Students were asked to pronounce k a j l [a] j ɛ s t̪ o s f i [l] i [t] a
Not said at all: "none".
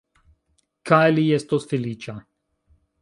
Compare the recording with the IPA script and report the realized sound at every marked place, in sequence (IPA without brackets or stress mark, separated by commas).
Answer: i, l, t͡ʃ